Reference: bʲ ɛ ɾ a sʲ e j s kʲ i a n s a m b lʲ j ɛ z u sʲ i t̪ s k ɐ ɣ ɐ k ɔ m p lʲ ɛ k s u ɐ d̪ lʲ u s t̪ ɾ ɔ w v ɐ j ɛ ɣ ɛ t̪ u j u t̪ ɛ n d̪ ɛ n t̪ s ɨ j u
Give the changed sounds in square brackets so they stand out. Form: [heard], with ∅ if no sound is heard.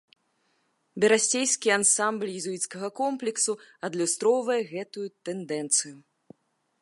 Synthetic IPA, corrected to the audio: bʲ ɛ ɾ a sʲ e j s kʲ i a n s a m b lʲ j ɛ z u [∅] i t̪ s k ɐ ɣ ɐ k ɔ m p lʲ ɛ k s u ɐ d̪ lʲ u s t̪ ɾ ɔ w v ɐ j ɛ ɣ ɛ t̪ u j u t̪ ɛ n d̪ ɛ n t̪ s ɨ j u